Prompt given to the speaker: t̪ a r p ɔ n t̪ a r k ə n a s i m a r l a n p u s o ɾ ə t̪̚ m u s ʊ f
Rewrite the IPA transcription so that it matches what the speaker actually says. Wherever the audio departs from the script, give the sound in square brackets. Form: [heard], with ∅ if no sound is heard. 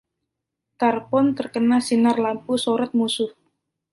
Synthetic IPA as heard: t̪ a r p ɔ n t̪ [ə] r k ə n a s i [n] a r l a [m] p u s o ɾ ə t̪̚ m u s ʊ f